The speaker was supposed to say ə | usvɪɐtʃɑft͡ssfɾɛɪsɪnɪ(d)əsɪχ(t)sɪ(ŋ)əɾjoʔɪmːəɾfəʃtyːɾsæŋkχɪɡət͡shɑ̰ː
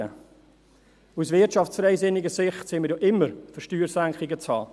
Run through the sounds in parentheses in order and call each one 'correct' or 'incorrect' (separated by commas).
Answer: incorrect, correct, incorrect